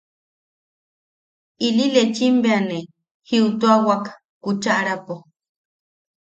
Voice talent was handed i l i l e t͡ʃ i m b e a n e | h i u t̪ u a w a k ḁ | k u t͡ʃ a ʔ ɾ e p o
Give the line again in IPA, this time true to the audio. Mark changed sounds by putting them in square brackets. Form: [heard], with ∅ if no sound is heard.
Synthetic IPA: i l i l e t͡ʃ i m b e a n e | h i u t̪ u a w a k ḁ | k u t͡ʃ a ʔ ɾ [a] p o